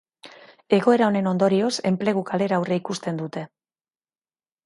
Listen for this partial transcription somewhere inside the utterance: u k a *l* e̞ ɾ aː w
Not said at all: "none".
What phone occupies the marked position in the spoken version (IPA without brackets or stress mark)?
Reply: l